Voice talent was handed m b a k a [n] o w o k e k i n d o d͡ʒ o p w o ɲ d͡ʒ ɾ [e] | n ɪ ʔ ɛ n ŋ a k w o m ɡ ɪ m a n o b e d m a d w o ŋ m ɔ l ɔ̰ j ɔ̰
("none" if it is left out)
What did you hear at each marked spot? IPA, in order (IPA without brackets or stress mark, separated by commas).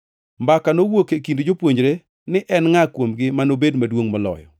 n, e